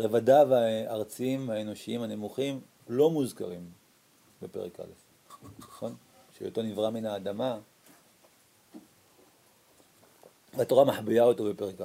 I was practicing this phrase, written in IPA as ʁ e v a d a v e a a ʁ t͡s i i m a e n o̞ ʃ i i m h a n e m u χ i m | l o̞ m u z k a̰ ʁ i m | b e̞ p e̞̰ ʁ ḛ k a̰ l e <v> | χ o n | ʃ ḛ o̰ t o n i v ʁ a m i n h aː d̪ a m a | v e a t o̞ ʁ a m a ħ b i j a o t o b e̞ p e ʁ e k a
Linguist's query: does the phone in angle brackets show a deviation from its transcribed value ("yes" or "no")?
yes